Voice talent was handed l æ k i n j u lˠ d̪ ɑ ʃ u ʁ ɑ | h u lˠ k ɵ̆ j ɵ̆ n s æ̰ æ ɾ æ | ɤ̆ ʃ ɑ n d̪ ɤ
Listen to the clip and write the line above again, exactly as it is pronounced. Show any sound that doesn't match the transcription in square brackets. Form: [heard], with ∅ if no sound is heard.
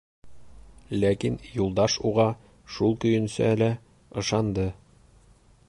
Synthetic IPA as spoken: l æ k i n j u lˠ d̪ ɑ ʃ u ʁ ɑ | [ʃ] u lˠ k ɵ̆ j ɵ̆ n s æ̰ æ [l] æ | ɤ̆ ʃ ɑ n d̪ ɤ